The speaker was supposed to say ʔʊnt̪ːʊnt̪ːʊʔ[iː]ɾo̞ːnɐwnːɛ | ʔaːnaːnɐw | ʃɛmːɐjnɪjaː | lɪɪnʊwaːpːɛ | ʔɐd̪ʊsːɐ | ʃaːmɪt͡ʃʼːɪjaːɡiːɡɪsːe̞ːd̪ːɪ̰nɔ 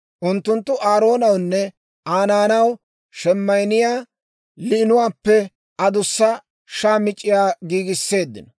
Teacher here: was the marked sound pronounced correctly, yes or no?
no